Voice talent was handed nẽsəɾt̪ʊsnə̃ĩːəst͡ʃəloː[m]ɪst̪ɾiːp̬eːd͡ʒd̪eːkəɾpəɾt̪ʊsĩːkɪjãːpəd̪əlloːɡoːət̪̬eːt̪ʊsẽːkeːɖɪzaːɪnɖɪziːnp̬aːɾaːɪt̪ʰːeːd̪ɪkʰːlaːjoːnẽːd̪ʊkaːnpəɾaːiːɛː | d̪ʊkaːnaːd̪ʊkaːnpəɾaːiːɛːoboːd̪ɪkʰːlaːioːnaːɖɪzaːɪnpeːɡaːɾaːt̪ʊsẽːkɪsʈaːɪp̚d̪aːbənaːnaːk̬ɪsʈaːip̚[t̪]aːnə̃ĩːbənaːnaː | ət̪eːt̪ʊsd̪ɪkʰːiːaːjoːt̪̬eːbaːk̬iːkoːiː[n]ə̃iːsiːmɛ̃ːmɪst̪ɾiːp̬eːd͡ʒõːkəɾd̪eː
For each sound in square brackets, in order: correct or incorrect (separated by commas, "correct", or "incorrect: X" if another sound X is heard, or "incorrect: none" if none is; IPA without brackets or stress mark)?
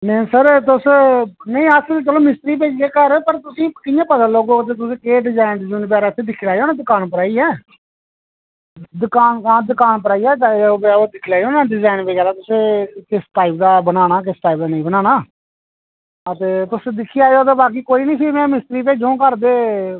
correct, incorrect: d̪, correct